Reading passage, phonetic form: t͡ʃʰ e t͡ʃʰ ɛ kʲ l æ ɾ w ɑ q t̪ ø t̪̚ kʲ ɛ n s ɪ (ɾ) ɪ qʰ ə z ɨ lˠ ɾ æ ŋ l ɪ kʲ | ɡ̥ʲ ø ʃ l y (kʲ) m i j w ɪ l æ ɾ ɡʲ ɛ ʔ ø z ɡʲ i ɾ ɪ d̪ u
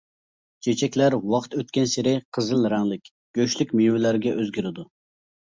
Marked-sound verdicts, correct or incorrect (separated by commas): correct, correct